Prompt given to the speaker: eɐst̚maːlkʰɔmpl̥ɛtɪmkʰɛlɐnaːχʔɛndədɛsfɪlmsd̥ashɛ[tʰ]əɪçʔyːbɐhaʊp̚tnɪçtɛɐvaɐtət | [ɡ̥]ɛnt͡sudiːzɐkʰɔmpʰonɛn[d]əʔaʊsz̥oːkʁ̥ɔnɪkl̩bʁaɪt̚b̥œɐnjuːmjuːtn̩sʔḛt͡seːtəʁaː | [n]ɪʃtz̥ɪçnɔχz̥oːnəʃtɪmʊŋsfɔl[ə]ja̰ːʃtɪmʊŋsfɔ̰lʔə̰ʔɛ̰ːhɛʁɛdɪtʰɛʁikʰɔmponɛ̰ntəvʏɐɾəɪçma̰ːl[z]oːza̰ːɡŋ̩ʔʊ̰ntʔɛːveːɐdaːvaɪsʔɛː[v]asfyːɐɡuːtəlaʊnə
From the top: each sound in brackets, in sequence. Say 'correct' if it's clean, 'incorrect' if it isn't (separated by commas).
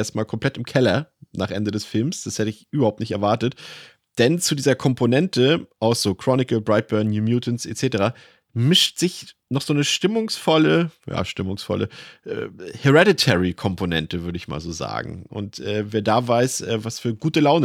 incorrect, incorrect, incorrect, incorrect, correct, correct, correct